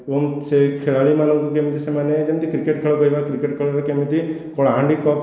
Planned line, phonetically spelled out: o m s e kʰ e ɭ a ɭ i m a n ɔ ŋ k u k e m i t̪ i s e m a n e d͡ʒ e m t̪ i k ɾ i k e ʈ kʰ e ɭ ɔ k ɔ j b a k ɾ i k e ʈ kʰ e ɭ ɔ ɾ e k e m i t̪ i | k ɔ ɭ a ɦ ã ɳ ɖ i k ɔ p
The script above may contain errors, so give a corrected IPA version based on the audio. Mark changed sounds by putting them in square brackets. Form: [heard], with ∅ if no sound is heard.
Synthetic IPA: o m s e kʰ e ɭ a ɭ i m a n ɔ ŋ k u k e m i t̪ i s e m a n e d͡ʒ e m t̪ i k ɾ i k e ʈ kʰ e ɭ ɔ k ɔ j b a k ɾ i k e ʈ kʰ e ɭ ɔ ɾ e k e m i t̪ i | k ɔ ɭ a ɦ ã ɳ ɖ i k ɔ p